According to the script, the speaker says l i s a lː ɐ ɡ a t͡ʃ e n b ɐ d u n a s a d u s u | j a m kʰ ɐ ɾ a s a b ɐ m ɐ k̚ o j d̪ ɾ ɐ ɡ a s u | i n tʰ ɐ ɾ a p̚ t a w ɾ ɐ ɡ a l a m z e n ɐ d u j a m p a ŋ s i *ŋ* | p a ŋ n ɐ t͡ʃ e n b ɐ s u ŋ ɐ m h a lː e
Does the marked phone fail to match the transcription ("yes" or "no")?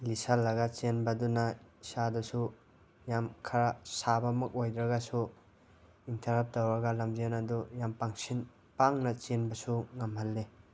yes